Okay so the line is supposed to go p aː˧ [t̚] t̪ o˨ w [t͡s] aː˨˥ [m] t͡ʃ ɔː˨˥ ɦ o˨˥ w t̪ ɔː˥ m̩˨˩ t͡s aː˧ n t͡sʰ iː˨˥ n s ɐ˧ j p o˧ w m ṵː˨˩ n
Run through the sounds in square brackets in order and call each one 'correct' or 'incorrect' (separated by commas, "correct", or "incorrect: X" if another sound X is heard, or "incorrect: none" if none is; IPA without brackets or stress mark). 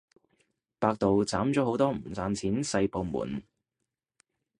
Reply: incorrect: k̚, correct, correct